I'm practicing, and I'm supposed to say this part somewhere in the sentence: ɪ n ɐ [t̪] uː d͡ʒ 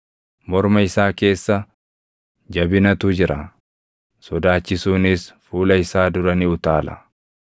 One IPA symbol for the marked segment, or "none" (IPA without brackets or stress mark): t̪